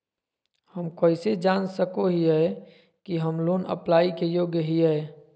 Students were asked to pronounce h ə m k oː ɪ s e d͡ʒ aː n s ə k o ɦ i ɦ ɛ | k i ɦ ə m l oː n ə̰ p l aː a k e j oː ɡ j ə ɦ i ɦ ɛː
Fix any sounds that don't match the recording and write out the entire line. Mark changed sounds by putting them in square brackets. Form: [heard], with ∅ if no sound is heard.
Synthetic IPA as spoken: h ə m k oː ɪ s e d͡ʒ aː n s ə k o ɦ i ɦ ɛ | k i ɦ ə m l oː n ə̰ p l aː [i] k e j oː ɡ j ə ɦ i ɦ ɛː